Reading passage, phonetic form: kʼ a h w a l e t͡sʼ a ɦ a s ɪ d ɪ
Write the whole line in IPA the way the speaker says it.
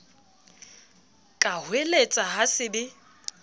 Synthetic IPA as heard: kʼ a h w e l e t͡sʼ a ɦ a s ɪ d ɪ